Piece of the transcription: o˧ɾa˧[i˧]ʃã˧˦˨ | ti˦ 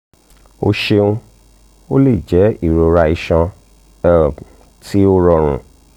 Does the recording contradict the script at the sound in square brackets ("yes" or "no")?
no